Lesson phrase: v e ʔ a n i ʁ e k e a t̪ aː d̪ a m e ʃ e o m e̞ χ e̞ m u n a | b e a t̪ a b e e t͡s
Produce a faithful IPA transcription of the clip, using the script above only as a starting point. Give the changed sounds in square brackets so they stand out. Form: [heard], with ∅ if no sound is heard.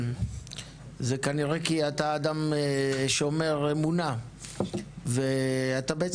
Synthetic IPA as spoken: [z] e [k] a n i ʁ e k [i] a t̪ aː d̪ a m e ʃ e o m e̞ [ʁ] e̞ m u n a | [v] e a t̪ a b e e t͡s